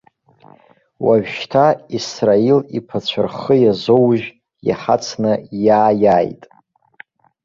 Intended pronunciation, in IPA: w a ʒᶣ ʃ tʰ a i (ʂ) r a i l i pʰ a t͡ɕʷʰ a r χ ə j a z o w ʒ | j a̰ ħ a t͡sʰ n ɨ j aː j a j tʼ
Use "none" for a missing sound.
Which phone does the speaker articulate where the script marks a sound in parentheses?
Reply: s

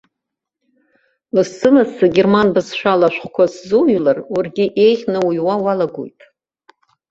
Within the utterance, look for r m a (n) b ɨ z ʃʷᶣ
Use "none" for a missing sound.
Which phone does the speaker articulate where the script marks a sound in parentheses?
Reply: n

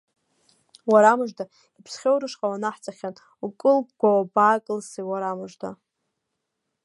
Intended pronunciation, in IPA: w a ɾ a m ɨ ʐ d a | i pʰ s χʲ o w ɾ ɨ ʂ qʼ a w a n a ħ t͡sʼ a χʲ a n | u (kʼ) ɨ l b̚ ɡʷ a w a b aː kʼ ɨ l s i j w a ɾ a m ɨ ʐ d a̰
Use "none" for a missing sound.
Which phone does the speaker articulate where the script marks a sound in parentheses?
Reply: kʼ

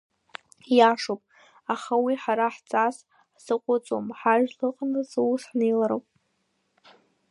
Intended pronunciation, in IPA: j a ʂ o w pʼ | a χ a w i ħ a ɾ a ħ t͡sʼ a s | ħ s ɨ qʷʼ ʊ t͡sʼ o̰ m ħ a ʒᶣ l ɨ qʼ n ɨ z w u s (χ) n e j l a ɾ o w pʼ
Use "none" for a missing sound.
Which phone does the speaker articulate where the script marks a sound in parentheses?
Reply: ħ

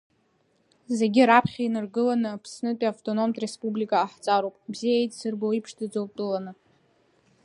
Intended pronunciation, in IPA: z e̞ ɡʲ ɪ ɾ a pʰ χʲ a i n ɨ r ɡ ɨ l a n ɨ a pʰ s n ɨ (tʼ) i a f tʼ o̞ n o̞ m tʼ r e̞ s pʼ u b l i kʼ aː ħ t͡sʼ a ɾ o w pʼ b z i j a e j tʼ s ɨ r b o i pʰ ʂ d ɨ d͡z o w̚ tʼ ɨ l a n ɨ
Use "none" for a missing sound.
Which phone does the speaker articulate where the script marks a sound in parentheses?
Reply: tʼ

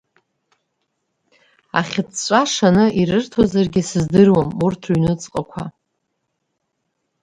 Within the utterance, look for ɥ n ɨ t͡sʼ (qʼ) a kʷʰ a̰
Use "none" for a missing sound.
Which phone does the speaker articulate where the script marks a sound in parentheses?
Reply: qʼ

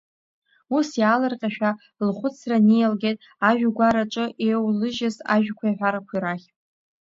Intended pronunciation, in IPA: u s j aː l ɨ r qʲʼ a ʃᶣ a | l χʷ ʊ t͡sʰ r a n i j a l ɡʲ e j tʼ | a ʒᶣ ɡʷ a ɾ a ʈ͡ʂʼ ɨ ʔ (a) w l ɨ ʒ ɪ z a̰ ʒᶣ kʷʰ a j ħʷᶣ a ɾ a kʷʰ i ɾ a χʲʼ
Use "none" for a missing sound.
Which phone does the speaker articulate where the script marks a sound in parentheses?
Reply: e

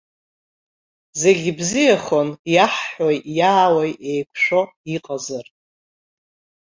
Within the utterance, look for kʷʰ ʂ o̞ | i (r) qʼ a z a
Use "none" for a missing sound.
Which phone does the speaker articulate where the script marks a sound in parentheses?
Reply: none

